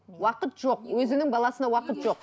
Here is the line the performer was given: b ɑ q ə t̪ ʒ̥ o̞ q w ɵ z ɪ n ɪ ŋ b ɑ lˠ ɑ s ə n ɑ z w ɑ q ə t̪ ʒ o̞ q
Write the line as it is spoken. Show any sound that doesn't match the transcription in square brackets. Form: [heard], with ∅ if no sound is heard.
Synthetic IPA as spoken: [w] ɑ q ə t̪ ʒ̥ o̞ q w ɵ z ɪ n ɪ ŋ b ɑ lˠ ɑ s ə n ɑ [∅] w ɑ q ə t̪ ʒ o̞ q